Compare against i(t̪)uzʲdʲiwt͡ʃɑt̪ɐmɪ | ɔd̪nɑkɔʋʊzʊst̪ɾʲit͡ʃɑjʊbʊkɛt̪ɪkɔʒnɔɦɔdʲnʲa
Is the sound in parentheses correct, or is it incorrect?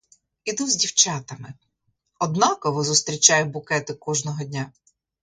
incorrect